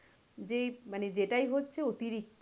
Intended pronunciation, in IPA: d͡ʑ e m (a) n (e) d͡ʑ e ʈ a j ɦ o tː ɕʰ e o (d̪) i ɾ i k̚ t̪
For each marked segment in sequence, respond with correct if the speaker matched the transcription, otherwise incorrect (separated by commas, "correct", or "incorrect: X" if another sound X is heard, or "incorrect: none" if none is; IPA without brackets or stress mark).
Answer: correct, correct, incorrect: t̪